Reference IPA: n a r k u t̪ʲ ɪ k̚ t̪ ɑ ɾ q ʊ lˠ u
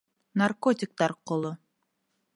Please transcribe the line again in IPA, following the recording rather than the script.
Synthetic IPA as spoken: n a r k o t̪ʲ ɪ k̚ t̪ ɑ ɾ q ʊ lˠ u